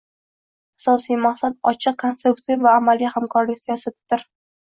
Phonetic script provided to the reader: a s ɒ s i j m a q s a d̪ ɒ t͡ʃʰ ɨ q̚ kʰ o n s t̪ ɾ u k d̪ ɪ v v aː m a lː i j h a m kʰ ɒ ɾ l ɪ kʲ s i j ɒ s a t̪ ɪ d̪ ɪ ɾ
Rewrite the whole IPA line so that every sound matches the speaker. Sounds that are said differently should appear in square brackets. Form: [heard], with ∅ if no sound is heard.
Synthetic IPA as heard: a s ɒ s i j m a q s a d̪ ɒ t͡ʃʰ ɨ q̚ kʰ o n s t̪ ɾ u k [t̪] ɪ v v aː m a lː i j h a m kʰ ɒ ɾ l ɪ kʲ s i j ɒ s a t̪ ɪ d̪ ɪ ɾ